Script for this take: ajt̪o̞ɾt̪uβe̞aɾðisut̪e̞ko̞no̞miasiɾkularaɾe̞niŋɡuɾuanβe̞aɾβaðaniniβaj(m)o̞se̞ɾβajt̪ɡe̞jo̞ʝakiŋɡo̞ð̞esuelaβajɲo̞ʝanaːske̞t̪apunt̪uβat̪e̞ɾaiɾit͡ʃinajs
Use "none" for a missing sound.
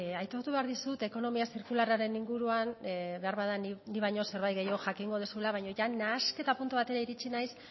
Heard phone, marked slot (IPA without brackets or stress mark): ɲ